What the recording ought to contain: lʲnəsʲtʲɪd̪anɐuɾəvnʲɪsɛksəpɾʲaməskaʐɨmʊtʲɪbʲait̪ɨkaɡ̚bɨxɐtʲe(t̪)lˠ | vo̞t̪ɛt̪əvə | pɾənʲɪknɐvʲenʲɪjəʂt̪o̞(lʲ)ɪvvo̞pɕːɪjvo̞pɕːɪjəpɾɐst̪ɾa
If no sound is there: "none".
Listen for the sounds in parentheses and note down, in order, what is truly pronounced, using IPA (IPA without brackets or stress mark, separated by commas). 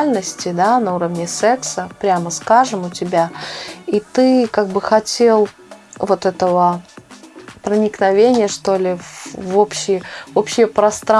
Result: none, lʲ